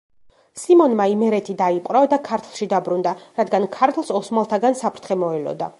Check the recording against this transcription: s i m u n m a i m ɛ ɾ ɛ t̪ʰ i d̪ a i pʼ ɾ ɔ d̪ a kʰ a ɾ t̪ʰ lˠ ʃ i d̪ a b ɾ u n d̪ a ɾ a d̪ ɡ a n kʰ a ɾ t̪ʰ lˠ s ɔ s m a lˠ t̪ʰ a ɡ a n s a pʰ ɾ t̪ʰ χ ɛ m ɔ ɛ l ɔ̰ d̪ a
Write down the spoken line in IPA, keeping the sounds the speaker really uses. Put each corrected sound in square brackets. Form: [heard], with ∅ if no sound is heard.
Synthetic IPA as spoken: s i m [ɔ] n m a i m ɛ ɾ ɛ t̪ʰ i d̪ a i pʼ ɾ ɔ d̪ a kʰ a ɾ t̪ʰ lˠ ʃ i d̪ a b ɾ u n d̪ a ɾ a d̪ ɡ a n kʰ a ɾ t̪ʰ lˠ s ɔ s m a lˠ t̪ʰ a ɡ a n s a pʰ ɾ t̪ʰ χ ɛ m ɔ ɛ l ɔ̰ d̪ a